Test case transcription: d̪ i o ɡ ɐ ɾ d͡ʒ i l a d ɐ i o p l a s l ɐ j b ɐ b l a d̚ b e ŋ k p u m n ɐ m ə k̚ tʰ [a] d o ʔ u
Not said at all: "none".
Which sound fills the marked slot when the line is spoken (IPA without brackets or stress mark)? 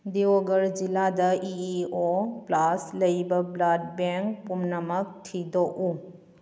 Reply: i